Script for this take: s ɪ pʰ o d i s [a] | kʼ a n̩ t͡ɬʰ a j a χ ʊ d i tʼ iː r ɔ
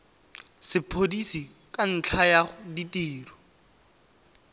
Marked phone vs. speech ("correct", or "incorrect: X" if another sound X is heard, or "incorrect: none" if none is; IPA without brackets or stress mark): incorrect: i